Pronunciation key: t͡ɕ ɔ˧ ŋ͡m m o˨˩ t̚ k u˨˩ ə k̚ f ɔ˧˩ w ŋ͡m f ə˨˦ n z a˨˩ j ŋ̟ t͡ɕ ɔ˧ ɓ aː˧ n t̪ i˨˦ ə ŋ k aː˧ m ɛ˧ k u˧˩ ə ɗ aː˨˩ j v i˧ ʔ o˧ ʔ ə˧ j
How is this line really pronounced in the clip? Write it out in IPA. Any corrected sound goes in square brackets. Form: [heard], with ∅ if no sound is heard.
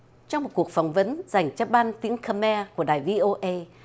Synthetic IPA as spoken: t͡ɕ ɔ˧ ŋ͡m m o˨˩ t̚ k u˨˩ ə k̚ f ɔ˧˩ w ŋ͡m [v] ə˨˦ n z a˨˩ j ŋ̟ t͡ɕ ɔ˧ ɓ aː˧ n t̪ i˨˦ ə ŋ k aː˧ m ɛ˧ k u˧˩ ə ɗ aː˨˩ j v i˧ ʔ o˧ ʔ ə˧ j